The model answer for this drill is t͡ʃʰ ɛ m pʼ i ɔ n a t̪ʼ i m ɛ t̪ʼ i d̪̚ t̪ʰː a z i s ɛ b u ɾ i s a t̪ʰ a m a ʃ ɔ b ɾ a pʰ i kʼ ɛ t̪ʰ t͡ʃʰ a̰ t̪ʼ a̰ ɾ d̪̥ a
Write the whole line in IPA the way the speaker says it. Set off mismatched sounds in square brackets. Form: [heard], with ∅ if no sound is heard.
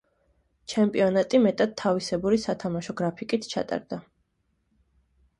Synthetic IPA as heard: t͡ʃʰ ɛ m pʼ i ɔ n a t̪ʼ i m ɛ t̪ʼ [a] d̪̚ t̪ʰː a [v] i s ɛ b u ɾ i s a t̪ʰ a m a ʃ ɔ [ɡ] ɾ a pʰ i kʼ [i] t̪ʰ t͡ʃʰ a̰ t̪ʼ a̰ ɾ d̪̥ a